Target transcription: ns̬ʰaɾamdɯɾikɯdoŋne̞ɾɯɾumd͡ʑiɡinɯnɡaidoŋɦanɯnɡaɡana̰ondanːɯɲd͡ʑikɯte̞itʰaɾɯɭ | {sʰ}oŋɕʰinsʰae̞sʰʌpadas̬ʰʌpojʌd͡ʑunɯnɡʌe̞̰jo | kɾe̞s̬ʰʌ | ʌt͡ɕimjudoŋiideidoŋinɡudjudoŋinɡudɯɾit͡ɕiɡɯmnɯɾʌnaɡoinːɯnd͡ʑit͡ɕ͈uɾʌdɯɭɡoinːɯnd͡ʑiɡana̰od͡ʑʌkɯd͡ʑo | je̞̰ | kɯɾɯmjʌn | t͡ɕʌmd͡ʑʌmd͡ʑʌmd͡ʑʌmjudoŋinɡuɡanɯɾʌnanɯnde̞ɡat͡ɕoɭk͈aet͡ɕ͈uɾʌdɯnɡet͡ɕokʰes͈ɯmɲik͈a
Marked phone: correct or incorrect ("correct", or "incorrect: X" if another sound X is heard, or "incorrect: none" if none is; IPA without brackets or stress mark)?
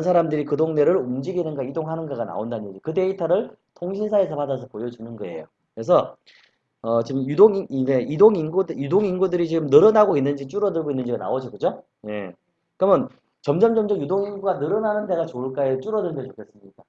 incorrect: tʰ